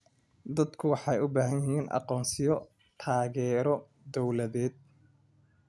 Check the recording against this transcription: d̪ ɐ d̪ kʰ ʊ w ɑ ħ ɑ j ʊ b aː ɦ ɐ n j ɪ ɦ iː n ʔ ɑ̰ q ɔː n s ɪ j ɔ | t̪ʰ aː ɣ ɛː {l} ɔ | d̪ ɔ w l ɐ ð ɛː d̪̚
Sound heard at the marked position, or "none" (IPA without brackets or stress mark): ɾ